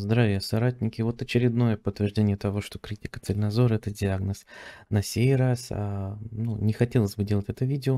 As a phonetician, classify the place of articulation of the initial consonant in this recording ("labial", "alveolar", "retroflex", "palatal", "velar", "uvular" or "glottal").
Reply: alveolar